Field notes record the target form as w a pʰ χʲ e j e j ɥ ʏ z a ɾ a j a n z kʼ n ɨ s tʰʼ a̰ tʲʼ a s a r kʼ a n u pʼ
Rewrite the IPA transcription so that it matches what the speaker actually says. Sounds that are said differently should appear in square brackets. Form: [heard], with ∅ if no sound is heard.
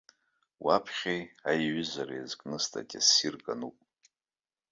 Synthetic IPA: w a pʰ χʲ e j [a] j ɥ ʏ z a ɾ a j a [∅] z kʼ n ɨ s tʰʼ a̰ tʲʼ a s [i] r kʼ a n u pʼ